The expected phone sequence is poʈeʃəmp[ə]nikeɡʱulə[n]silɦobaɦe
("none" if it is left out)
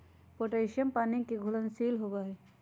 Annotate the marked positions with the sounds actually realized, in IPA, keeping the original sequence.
a, n

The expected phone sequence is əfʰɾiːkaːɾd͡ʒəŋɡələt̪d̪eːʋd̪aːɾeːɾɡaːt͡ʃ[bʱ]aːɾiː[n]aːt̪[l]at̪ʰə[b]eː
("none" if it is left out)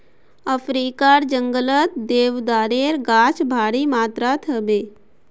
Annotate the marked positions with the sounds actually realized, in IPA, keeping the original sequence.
bʱ, m, ɾ, b

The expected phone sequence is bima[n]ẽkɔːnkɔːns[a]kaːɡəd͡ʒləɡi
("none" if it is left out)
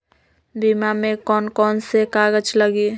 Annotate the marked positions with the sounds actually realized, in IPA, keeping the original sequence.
m, e

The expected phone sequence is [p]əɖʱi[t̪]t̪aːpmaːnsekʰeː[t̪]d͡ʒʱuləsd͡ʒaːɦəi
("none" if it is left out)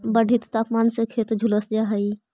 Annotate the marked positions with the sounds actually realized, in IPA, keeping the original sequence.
b, t̪, t̪

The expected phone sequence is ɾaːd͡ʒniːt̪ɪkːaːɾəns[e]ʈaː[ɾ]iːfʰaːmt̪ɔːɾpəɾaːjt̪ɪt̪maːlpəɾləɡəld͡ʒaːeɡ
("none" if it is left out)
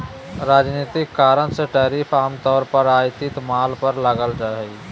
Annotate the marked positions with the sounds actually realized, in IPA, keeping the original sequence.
e, ɾ

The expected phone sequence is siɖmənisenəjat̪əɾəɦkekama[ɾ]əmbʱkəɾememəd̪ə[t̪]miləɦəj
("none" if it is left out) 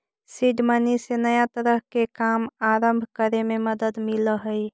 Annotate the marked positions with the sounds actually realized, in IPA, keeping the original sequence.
ɾ, d̪

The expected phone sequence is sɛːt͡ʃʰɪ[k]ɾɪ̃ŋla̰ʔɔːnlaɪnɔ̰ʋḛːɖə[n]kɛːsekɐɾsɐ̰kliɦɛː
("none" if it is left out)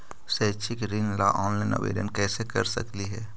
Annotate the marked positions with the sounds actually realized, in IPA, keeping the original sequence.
k, n

